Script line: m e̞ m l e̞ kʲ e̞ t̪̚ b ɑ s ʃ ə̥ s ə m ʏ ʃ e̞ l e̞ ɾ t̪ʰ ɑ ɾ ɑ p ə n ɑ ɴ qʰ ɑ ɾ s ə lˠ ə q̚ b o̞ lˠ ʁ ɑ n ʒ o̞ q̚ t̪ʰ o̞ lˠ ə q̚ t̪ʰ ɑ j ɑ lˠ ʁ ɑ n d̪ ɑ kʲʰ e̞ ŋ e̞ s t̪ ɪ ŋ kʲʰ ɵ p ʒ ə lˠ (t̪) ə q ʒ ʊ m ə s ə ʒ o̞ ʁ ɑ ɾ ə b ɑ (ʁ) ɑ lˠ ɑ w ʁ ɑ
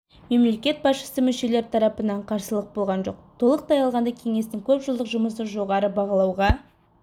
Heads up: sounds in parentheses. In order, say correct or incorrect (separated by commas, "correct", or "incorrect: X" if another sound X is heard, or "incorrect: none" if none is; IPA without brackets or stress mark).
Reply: incorrect: d̪, correct